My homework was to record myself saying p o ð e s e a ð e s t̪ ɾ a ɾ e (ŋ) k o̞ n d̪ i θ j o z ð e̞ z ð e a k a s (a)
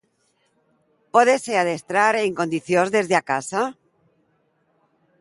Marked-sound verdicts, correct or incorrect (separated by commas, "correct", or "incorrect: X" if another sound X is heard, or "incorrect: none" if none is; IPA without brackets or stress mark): correct, correct